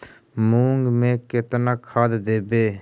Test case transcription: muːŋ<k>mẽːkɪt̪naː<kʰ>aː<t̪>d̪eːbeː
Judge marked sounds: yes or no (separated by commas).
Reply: no, yes, no